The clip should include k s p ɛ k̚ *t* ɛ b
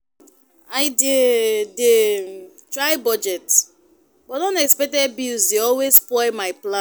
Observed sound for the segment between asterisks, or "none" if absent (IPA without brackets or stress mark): t